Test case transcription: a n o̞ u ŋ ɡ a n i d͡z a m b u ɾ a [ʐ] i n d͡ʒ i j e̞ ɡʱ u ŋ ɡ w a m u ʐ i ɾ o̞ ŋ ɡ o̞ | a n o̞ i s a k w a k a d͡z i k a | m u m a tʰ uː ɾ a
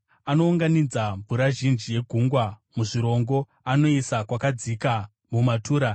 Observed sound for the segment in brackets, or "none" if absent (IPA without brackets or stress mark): ʒ